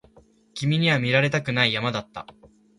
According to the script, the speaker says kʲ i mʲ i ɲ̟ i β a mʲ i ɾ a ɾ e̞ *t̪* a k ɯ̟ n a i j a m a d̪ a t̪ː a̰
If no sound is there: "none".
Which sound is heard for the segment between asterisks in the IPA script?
t̪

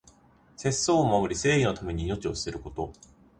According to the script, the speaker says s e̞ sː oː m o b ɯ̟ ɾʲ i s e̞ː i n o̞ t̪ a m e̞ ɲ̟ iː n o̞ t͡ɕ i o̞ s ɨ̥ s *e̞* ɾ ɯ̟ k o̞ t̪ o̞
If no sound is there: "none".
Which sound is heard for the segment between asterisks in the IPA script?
e̞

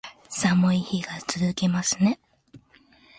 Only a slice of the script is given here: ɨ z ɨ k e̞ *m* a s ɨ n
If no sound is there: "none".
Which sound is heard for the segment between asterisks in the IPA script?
m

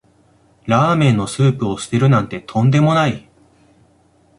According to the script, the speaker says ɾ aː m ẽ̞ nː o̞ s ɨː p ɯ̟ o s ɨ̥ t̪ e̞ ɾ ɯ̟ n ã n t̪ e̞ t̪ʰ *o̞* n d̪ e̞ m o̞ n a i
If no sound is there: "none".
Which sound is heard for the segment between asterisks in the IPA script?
õ̞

